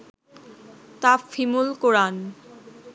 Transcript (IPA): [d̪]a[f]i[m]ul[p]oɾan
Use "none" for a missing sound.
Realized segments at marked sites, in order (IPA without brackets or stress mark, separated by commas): t̪, f, m, k